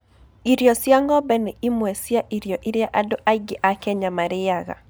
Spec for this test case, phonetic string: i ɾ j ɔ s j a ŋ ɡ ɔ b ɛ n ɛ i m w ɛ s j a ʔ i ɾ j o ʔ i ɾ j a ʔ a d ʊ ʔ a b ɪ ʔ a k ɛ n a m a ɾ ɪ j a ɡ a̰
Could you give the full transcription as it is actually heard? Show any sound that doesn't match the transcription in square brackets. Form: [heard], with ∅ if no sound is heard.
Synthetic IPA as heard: i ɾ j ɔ s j a ŋ ɡ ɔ b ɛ n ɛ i m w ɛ s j a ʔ i ɾ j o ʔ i ɾ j a ʔ a d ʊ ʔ a [ɡ] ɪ ʔ a k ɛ [ɲ] a m a ɾ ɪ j a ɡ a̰